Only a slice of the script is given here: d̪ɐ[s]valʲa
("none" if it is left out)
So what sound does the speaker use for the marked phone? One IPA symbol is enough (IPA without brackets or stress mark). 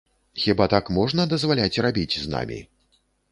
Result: z